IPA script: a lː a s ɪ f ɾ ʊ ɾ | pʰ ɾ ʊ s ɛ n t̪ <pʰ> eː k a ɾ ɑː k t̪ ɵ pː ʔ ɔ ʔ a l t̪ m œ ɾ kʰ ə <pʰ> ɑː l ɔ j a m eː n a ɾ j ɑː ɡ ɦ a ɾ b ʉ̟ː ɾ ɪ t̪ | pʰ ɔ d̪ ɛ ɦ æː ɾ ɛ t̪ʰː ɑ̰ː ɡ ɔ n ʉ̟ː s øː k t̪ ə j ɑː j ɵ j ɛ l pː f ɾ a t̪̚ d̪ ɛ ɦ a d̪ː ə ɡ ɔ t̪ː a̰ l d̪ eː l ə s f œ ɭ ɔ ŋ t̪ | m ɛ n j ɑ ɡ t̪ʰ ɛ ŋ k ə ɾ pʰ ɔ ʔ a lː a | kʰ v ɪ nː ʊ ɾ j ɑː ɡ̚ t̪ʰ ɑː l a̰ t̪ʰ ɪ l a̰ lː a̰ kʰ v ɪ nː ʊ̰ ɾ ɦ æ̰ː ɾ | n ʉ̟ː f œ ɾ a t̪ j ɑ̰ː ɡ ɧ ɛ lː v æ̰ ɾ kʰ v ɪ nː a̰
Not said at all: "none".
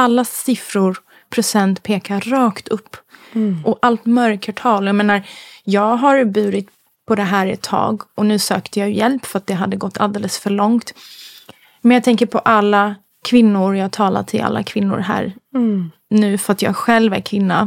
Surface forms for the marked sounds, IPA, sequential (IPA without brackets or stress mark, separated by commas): pʰ, ʈʰ